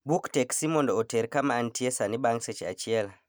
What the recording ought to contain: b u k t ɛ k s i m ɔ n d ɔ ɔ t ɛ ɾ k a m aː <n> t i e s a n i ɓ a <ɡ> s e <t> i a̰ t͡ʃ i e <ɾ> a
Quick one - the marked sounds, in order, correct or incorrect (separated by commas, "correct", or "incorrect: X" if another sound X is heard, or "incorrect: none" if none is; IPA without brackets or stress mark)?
correct, incorrect: ŋ, incorrect: t͡ʃ, incorrect: l